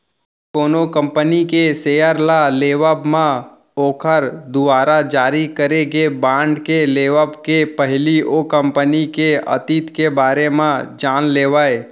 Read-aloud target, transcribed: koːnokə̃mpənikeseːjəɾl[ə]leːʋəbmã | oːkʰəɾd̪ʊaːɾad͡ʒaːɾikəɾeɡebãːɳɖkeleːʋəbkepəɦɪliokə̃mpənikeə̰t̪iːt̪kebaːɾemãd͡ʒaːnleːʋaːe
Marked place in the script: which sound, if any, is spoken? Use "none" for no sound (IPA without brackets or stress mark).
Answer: a